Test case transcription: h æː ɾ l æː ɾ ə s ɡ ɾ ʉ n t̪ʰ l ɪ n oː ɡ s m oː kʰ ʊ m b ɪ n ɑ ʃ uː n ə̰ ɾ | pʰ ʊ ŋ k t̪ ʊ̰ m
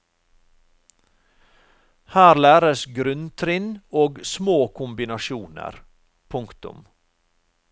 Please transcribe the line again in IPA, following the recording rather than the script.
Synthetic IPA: h æː ɾ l æː ɾ ə s ɡ ɾ ʉ n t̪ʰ ɾ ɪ n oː ɡ s m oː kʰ ʊ m b ɪ n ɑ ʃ uː n ə̰ ɾ | pʰ ʊ ŋ k t̪ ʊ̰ m